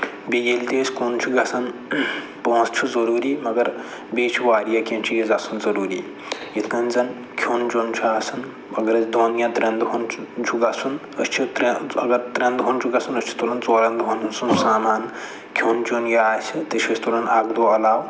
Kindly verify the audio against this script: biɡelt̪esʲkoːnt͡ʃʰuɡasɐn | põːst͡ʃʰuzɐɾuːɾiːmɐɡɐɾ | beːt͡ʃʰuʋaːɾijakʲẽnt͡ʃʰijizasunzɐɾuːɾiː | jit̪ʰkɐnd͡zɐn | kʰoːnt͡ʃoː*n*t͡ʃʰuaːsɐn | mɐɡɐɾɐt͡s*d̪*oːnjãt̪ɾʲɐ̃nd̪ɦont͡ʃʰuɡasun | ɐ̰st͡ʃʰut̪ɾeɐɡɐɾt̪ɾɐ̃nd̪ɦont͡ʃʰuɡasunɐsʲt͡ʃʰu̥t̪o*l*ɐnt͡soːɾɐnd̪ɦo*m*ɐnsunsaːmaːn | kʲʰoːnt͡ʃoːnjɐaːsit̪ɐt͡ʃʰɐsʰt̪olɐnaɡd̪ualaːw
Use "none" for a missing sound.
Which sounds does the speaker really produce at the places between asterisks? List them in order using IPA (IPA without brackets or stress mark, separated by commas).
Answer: n, d̪, l, n